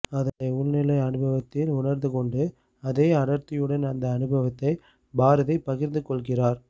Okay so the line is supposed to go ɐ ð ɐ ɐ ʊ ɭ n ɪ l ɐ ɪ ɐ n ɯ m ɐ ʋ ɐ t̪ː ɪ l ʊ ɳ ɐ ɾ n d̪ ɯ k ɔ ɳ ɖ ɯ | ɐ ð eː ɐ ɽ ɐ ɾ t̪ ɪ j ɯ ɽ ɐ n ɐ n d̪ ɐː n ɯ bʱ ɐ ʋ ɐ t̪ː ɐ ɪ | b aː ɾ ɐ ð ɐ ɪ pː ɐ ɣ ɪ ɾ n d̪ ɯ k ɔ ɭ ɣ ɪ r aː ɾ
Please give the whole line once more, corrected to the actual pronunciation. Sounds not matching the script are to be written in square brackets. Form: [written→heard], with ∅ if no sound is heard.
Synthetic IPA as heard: ɐ ð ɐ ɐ ʊ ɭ n ɪ l ɐ ɪ ɐ n ɯ [m→b] ɐ ʋ ɐ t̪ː ɪ l ʊ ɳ ɐ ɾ n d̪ ɯ k ɔ ɳ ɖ ɯ | ɐ ð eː ɐ ɽ ɐ ɾ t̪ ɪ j ɯ ɽ ɐ n ɐ n d̪ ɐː n ɯ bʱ ɐ ʋ ɐ t̪ː ɐ ɪ | b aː ɾ ɐ ð ɐ ɪ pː ɐ ɣ ɪ ɾ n d̪ ɯ k ɔ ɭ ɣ ɪ r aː ɾ